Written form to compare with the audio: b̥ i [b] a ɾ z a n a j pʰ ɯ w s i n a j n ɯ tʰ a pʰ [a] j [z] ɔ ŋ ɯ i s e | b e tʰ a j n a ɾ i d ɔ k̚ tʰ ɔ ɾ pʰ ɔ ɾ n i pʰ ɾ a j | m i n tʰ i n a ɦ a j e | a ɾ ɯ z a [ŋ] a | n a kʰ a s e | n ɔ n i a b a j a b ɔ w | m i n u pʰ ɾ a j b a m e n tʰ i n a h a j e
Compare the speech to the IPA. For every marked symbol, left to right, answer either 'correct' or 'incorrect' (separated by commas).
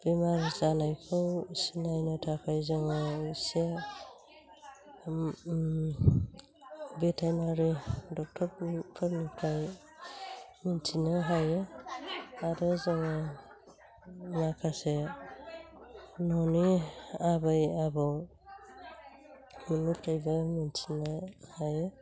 incorrect, correct, correct, correct